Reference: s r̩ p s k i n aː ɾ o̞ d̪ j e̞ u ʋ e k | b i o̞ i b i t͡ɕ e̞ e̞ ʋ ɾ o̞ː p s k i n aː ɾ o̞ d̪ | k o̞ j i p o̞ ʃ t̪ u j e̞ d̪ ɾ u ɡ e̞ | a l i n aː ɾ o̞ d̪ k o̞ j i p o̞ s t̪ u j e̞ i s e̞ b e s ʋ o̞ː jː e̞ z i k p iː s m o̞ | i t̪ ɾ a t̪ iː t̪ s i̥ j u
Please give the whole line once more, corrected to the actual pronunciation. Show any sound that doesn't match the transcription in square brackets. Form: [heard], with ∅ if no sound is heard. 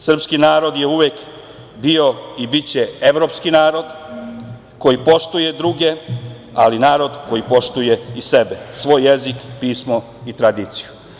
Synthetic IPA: s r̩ p s k i n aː ɾ o̞ d̪ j e̞ u ʋ e k | b i o̞ i b i t͡ɕ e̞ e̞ ʋ ɾ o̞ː p s k i n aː ɾ o̞ d̪ | k o̞ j i p o̞ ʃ t̪ u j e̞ d̪ ɾ u ɡ e̞ | a l i n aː ɾ o̞ d̪ k o̞ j i p o̞ [ʃ] t̪ u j e̞ i s e̞ b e s ʋ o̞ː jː e̞ z i k p iː s m o̞ | i t̪ ɾ a [d̪] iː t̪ s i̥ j u